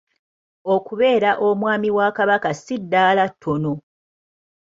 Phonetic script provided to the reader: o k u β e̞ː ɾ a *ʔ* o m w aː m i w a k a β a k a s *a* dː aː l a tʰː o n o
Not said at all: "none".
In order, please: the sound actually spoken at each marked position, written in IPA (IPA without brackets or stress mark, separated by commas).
ʔ, i